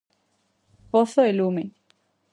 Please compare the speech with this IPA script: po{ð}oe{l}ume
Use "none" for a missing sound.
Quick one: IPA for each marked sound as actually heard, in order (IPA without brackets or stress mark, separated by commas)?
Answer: θ, l